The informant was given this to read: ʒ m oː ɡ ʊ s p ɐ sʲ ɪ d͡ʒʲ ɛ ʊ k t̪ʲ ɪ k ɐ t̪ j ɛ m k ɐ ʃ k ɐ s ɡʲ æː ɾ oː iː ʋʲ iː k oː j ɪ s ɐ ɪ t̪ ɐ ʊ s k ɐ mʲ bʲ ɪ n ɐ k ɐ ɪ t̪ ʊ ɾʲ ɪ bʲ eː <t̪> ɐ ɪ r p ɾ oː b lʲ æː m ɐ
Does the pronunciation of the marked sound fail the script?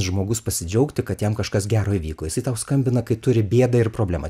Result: yes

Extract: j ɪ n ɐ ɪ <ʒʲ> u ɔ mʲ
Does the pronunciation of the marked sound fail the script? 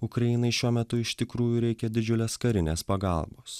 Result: yes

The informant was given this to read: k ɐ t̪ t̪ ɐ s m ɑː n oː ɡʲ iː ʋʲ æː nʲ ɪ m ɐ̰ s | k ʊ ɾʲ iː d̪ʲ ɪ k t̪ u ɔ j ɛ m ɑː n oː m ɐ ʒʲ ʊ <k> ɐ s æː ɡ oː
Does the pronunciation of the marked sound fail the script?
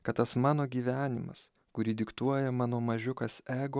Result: no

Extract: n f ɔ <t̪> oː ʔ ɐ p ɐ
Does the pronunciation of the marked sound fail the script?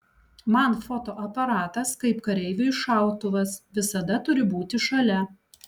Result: no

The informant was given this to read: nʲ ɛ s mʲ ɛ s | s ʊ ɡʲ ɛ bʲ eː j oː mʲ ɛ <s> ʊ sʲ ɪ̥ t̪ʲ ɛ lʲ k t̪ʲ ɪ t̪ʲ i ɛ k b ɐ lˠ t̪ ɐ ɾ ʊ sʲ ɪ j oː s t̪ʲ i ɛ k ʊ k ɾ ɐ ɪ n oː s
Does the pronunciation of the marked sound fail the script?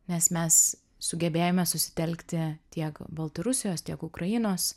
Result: no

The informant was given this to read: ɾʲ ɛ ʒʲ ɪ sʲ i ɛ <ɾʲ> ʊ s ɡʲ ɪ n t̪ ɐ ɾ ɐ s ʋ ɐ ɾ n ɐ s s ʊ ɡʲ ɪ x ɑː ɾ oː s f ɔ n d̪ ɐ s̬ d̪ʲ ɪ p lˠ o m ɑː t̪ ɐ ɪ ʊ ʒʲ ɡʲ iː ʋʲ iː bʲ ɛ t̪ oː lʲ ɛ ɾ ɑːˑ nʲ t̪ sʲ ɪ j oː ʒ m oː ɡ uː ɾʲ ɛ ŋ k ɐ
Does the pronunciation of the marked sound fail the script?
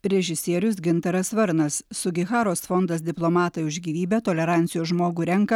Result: no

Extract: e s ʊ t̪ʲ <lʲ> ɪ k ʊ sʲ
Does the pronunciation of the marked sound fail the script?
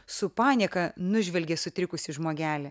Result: yes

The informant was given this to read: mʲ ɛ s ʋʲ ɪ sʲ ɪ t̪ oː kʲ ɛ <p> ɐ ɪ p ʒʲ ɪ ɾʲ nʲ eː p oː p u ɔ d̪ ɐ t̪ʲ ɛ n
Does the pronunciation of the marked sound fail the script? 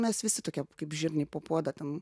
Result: yes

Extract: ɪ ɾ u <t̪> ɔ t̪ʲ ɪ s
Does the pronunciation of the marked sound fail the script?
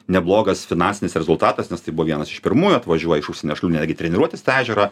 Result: yes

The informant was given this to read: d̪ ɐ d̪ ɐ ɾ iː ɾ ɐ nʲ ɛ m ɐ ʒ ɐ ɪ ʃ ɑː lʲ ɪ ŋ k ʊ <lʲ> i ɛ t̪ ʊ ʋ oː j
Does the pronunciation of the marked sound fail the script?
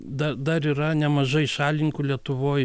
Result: no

